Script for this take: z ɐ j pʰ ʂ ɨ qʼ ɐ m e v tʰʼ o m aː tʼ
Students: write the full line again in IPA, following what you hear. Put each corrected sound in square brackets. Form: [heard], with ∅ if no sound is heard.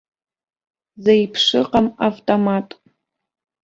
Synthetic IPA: z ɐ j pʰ ʂ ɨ [q] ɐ m [a] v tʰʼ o m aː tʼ